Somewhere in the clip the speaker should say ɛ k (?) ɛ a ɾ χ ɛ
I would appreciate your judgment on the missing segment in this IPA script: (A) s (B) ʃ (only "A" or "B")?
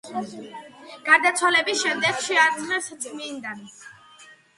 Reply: B